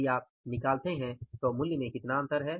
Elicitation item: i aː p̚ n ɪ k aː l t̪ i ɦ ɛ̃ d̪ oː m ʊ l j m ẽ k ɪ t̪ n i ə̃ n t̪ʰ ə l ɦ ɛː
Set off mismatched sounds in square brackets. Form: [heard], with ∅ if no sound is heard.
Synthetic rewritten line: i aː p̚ n ɪ k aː l t̪ [e] ɦ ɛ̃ [t̪] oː m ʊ l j m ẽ k ɪ t̪ n [a] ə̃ n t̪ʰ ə [ɾ] ɦ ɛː